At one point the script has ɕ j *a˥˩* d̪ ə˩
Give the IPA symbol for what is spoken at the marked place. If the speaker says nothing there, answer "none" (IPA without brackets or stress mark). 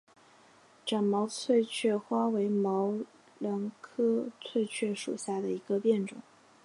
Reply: a˥˩